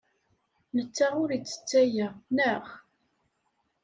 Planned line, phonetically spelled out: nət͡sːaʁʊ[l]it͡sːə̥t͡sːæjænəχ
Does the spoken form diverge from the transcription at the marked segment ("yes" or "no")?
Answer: yes